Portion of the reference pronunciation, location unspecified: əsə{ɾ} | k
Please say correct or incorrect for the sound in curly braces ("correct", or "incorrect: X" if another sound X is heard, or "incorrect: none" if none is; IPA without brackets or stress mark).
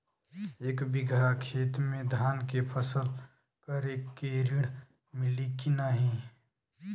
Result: incorrect: l